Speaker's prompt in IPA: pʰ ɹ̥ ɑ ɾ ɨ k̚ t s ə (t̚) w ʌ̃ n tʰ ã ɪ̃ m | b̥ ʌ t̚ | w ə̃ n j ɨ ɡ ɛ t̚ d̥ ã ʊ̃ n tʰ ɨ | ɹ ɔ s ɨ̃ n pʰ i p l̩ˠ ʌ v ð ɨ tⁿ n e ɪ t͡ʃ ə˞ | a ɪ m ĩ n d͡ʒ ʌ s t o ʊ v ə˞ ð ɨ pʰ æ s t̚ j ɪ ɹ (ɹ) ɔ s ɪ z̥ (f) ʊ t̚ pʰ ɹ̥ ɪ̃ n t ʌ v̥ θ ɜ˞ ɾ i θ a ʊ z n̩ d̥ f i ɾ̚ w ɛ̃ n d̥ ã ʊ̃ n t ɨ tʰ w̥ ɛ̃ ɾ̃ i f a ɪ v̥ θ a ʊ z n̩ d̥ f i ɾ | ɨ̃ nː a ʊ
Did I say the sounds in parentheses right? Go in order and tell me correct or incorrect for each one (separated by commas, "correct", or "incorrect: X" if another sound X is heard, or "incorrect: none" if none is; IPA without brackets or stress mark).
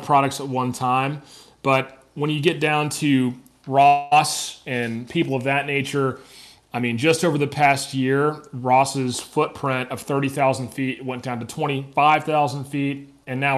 correct, correct, correct